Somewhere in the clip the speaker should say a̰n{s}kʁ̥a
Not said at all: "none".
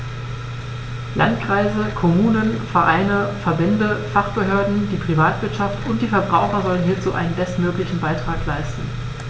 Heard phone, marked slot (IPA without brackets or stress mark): t